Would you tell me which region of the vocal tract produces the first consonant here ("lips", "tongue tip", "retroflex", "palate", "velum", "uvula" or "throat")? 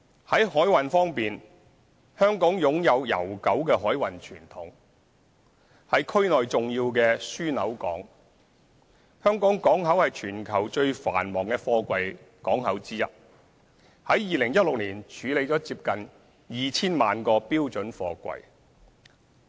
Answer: throat